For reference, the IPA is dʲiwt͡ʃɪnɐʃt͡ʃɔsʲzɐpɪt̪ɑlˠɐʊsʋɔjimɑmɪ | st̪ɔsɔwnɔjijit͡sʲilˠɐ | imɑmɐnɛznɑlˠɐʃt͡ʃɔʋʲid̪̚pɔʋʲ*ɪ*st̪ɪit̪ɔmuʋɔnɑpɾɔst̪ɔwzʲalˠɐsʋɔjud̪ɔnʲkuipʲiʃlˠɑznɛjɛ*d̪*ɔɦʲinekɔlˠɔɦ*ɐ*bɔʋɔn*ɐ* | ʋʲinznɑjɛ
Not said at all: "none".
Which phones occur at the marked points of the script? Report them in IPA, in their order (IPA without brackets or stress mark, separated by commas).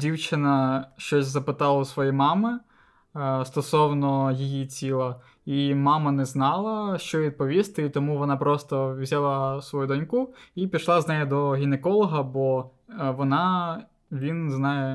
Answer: i, d̪, ɐ, ɑ